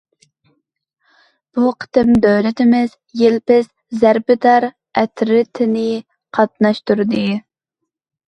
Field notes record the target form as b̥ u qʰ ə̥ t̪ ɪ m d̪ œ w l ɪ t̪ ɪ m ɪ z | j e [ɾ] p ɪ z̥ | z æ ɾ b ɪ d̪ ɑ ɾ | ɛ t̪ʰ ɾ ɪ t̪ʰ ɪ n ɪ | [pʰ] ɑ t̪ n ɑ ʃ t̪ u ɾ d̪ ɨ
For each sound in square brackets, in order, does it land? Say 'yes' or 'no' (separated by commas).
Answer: no, no